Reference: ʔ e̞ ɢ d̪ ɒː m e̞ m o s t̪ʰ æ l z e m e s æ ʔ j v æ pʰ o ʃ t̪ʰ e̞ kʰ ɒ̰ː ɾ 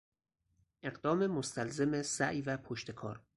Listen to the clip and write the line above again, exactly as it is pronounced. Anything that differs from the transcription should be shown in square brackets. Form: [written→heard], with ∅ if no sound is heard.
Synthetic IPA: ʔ e̞ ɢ d̪ ɒː m e̞ m o s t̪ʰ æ l z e m e s æ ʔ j v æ pʰ o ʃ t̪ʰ e̞ kʰ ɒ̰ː ɾ